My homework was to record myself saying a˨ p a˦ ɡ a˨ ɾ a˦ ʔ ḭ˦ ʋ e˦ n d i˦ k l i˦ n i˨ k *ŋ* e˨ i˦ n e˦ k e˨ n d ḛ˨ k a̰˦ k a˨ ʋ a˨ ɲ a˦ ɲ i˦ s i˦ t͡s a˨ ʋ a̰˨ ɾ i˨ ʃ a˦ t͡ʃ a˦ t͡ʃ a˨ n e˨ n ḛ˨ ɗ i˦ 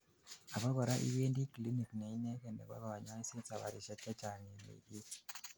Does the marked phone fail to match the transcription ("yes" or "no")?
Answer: yes